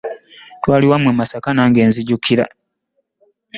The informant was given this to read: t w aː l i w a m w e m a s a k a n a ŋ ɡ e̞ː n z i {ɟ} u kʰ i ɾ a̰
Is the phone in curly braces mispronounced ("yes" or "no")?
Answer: no